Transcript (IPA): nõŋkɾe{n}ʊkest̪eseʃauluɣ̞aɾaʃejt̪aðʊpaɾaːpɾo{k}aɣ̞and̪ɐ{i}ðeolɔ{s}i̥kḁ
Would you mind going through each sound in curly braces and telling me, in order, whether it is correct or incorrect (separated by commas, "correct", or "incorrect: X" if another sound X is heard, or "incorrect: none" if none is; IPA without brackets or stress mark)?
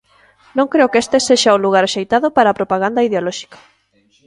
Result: incorrect: none, incorrect: p, correct, incorrect: ʃ